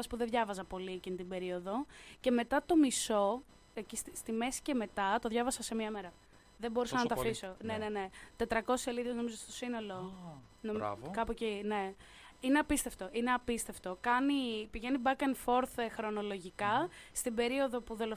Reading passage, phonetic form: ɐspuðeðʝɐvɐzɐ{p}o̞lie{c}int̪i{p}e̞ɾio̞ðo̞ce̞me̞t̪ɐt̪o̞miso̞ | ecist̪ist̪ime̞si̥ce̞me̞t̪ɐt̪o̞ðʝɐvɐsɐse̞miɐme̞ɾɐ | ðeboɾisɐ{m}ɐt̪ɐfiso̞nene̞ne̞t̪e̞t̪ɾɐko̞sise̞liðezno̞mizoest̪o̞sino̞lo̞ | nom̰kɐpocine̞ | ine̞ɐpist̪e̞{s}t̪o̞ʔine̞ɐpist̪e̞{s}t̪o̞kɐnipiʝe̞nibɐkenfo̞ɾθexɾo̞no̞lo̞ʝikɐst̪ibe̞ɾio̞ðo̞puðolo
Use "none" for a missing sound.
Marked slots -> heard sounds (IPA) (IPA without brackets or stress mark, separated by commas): p, c, b, n, f, f